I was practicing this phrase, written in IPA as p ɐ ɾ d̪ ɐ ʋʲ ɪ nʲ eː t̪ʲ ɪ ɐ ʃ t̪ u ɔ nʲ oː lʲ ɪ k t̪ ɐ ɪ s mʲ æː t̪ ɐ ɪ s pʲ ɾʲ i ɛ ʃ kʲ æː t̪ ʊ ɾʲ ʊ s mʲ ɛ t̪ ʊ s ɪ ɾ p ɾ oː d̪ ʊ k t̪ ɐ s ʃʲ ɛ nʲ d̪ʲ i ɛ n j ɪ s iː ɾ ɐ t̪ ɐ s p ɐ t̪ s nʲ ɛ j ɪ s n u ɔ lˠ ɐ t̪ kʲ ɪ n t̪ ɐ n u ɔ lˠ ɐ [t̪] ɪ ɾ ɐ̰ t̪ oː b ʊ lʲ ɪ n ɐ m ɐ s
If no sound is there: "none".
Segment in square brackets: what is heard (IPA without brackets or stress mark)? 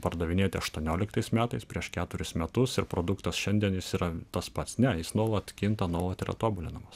t̪